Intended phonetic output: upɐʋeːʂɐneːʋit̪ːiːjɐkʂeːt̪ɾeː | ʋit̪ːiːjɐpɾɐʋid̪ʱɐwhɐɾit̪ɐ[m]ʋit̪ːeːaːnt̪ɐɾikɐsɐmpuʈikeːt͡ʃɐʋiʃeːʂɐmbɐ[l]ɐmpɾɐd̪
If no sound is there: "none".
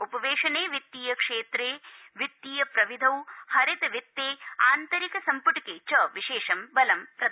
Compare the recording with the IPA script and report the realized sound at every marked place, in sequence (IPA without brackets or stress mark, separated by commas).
none, l